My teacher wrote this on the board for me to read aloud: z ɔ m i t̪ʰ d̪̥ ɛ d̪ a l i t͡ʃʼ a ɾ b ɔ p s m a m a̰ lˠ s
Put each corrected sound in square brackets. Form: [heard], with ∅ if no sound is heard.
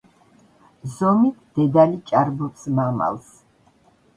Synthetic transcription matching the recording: z ɔ m i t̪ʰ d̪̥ ɛ d̪ a l i t͡ʃʼ a ɾ b ɔ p s m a m a̰ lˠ s